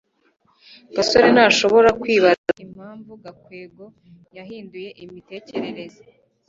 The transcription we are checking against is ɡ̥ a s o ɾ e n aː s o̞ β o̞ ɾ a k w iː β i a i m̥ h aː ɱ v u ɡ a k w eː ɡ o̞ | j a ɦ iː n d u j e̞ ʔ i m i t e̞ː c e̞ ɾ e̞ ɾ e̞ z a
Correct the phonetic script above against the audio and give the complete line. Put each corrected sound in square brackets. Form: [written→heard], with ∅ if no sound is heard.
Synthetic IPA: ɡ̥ a s o ɾ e n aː [s→ʃ] o̞ β o̞ ɾ a k w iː β [i→a] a i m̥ h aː ɱ v u ɡ a k w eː ɡ o̞ | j a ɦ iː n d u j e̞ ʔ i m i t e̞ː c e̞ ɾ e̞ ɾ e̞ z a